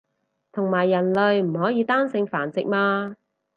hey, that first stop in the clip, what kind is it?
aspirated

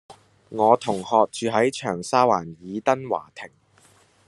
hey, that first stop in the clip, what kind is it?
aspirated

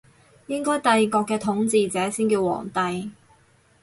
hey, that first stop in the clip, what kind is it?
plain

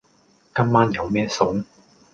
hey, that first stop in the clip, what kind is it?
plain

